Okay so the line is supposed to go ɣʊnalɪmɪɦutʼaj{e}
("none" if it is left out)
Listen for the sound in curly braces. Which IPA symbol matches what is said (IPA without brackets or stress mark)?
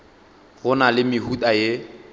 e